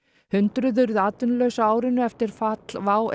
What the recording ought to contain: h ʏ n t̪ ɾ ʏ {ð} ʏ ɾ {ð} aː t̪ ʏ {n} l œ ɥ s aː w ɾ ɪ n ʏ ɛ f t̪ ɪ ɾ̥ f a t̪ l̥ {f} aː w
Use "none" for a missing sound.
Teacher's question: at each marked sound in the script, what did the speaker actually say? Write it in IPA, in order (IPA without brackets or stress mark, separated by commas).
ð, ð, n, v